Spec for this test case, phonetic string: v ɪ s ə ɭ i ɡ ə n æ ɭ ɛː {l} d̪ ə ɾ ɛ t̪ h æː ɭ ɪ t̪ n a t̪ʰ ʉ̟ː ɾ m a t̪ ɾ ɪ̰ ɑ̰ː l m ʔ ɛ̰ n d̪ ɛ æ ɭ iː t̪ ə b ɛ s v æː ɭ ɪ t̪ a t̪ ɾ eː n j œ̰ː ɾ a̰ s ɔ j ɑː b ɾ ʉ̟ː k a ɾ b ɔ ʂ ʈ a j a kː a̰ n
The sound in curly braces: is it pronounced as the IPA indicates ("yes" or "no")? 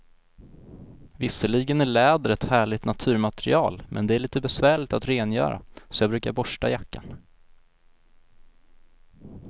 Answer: no